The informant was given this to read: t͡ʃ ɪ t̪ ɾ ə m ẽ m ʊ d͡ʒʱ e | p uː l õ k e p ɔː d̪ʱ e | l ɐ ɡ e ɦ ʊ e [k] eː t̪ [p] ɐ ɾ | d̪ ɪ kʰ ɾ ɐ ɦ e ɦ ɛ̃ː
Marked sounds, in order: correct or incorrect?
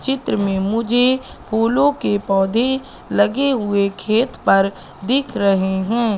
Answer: incorrect: kʰ, correct

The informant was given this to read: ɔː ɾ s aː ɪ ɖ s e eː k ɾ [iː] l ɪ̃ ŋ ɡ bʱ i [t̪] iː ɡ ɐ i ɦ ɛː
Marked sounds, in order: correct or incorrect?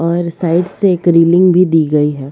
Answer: correct, incorrect: d̪

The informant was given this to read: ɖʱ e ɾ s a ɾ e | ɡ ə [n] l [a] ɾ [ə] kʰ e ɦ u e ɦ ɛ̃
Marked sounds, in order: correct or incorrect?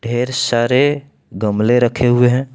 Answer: incorrect: m, incorrect: e, correct

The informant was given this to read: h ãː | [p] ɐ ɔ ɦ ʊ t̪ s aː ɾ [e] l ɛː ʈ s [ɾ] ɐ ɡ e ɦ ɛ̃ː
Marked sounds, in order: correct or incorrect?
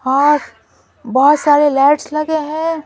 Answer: incorrect: b, correct, incorrect: l

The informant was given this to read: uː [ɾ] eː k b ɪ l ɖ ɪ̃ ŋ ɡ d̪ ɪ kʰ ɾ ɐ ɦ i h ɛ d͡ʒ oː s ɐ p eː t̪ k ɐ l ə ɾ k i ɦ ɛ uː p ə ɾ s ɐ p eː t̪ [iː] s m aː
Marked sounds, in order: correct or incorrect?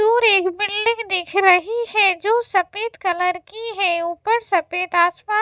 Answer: correct, incorrect: aː

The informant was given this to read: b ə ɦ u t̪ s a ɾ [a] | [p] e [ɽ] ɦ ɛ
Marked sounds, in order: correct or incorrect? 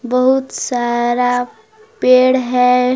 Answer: correct, correct, correct

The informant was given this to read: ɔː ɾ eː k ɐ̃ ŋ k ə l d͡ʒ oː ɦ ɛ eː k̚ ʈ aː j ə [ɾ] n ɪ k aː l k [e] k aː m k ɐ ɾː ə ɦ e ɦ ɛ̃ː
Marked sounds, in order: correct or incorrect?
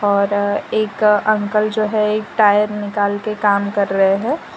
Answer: correct, correct

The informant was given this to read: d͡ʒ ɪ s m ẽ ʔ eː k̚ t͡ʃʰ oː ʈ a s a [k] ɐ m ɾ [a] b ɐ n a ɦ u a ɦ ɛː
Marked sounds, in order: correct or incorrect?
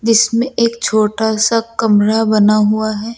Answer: correct, correct

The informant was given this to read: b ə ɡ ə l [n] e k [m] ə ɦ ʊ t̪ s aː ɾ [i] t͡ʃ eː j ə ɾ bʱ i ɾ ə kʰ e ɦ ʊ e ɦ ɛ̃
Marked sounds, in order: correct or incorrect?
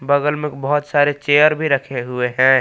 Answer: incorrect: m, incorrect: b, incorrect: e

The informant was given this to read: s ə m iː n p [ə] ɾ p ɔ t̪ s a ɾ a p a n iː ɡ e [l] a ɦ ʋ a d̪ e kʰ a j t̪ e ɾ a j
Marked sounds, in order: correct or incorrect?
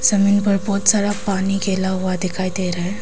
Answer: correct, correct

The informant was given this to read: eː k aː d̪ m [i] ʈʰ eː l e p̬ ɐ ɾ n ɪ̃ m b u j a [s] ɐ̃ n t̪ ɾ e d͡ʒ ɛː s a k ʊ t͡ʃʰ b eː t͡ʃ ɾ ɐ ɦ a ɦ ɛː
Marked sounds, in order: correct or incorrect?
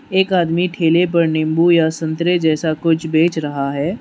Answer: correct, correct

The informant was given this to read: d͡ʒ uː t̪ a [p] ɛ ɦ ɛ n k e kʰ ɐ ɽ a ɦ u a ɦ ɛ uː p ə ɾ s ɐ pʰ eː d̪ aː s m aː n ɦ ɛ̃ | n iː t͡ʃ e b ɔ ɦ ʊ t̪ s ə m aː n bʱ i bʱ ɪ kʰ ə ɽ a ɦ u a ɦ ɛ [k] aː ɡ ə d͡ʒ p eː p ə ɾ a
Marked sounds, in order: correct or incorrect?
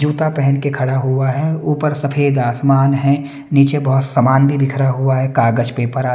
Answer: correct, correct

